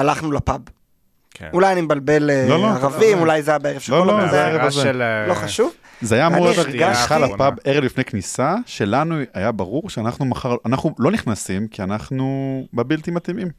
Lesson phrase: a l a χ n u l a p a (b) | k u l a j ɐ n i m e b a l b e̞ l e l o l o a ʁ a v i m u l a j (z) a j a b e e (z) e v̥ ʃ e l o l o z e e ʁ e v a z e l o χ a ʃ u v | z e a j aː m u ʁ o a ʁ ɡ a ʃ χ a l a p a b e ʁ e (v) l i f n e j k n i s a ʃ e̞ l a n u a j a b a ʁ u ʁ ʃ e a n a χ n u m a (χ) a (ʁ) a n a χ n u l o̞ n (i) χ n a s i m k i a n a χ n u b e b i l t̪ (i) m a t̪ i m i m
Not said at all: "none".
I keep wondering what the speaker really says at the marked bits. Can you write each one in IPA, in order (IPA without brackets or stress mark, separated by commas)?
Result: b, z, ʁ, v, χ, ʁ, i, i